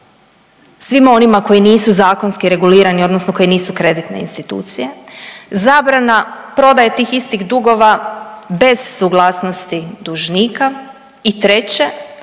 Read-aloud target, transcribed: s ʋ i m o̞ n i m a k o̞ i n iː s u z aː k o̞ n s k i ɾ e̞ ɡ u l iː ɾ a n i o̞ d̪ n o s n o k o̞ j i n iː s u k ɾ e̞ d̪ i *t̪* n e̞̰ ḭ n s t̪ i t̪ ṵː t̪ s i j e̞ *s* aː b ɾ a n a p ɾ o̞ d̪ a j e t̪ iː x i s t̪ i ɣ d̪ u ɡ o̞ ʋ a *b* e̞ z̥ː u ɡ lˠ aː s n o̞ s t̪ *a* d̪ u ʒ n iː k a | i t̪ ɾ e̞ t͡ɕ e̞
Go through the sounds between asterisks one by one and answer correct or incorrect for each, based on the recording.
correct, incorrect, correct, incorrect

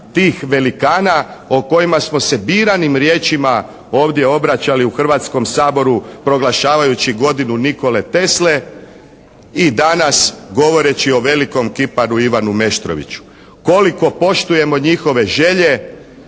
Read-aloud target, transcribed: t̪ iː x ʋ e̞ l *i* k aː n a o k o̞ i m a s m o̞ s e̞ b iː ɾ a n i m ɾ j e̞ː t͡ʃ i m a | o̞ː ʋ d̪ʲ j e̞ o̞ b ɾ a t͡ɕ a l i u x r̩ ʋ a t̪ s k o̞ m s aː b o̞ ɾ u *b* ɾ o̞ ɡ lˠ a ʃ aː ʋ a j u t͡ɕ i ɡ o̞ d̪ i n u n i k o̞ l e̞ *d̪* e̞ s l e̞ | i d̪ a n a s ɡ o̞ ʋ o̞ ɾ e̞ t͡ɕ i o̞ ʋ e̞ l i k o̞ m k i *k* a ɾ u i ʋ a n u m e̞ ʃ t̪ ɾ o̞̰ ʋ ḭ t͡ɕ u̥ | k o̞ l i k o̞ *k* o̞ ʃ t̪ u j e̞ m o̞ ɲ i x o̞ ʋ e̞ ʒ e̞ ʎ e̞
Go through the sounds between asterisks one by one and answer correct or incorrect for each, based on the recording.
correct, incorrect, incorrect, incorrect, incorrect

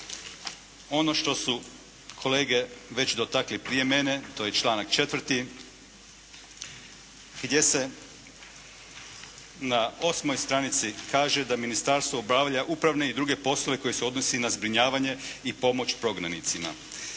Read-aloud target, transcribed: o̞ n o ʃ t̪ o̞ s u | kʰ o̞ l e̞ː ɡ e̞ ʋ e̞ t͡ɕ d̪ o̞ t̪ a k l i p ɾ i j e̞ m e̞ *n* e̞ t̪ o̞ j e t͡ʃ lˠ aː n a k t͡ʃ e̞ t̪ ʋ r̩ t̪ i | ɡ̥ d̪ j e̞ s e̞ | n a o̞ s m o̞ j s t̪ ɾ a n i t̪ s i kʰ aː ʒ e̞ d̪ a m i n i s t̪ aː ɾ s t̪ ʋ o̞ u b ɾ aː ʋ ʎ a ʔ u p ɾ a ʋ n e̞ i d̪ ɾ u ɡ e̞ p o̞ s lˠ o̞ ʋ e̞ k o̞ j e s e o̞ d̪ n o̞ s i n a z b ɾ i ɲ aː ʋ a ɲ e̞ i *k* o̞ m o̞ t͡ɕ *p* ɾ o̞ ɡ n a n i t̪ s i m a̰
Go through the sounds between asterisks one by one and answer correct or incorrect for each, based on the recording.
correct, incorrect, correct

